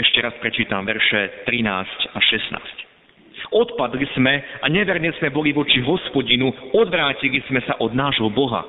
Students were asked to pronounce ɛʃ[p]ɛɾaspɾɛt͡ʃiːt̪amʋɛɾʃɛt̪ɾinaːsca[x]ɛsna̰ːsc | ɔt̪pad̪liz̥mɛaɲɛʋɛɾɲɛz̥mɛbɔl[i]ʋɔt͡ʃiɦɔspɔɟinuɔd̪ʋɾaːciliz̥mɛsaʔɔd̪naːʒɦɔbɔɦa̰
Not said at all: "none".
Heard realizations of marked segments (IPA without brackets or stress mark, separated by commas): c, ʃ, i